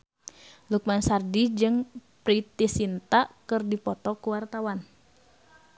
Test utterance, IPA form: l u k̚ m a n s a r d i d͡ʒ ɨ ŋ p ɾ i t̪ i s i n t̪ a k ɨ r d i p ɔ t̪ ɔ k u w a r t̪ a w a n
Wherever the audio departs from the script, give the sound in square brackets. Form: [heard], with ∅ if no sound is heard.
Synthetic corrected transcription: l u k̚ m a n s a r d i d͡ʒ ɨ ŋ p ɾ i t̪ i s i n t̪ a k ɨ r d i p ɔ t̪ ɔ k u w a r t̪ a w a n